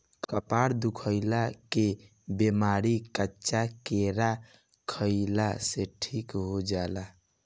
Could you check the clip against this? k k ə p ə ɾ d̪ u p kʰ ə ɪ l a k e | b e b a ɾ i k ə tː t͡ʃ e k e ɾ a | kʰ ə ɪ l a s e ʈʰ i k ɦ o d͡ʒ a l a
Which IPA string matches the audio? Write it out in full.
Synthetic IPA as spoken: k k ə p a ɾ d̪ u kʰ ə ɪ l a k e | b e m a ɾ i k ə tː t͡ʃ a k e ɾ a | kʰ ə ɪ l a s e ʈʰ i k ɦ o d͡ʒ a l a